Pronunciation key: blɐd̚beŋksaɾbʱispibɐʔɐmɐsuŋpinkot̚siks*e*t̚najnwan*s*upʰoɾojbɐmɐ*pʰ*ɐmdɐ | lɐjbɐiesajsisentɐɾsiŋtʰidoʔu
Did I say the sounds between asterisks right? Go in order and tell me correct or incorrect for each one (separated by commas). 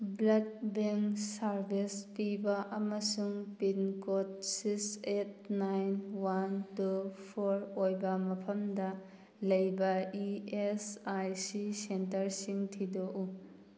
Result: correct, incorrect, correct